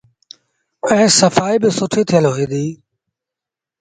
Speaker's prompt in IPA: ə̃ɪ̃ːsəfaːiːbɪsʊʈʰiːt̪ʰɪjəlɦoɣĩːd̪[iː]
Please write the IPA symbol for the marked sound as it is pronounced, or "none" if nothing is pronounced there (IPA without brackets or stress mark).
iː